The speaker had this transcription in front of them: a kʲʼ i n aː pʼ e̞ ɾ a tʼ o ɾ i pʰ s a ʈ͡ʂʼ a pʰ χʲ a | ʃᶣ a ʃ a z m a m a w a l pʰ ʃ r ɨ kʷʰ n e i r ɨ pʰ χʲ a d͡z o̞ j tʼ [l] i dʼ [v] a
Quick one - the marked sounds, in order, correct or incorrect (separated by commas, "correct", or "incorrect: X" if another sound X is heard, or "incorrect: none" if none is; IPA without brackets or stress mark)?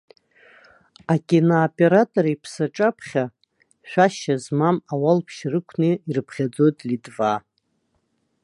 correct, correct